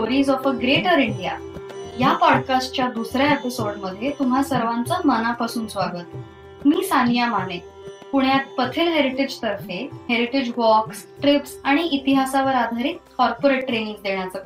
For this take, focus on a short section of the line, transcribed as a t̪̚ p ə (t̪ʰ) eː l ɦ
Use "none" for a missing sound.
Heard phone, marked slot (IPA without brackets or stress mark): t̪ʰ